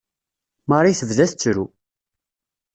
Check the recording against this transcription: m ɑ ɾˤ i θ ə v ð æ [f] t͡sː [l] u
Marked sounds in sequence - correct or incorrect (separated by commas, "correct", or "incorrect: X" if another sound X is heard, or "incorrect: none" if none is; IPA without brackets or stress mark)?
incorrect: θ, incorrect: ɾ